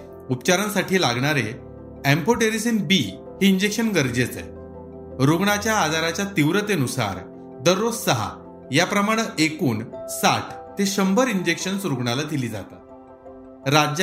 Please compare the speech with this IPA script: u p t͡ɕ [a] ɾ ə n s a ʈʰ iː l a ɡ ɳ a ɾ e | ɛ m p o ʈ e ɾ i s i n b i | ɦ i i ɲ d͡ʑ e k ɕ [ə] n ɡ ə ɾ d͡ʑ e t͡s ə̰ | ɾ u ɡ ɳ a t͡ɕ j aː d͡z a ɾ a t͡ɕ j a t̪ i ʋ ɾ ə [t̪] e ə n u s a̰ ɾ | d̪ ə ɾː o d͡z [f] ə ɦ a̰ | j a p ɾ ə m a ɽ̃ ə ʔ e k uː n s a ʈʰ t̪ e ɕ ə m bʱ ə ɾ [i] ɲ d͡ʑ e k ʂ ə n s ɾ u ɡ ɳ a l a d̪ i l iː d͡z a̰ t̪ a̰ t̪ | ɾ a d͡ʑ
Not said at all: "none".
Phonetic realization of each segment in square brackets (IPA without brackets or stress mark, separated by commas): a, ə, t̪, s, i